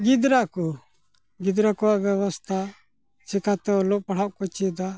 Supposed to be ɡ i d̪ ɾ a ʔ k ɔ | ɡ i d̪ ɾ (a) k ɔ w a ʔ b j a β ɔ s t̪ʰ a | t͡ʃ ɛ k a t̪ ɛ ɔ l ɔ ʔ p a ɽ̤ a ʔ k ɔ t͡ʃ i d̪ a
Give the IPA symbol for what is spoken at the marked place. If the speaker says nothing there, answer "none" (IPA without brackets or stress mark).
a